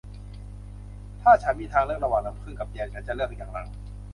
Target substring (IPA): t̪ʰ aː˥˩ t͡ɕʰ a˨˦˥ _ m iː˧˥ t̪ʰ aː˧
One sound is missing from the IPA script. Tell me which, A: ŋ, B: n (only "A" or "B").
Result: B